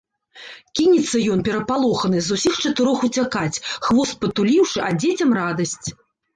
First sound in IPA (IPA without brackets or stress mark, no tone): kʲ